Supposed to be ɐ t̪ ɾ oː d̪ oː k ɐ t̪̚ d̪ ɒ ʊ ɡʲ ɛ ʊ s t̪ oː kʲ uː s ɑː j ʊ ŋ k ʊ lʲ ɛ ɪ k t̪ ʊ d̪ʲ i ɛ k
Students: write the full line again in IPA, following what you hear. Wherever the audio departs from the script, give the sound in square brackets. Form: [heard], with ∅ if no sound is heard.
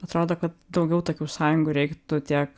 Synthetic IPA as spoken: ɐ t̪ ɾ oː d̪ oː k ɐ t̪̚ d̪ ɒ ʊ ɡʲ ɛ ʊ [∅] t̪ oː kʲ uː s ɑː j ʊ ŋ [ɡ] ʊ [ɾʲ] ɛ ɪ k t̪ ʊ [t̪ʲ] i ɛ k